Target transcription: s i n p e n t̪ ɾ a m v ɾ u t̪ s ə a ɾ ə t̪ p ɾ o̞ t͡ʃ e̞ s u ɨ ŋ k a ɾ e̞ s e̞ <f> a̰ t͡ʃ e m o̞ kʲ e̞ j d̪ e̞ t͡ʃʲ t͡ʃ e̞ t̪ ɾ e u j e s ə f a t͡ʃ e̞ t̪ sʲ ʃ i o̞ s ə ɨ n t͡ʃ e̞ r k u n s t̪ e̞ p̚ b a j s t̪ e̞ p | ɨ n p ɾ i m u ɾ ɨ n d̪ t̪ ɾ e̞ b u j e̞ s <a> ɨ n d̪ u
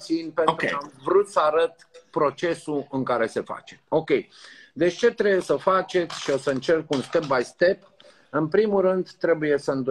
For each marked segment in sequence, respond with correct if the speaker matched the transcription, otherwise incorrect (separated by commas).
correct, incorrect